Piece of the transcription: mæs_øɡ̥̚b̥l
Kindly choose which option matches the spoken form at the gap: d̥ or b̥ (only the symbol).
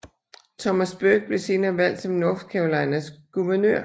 b̥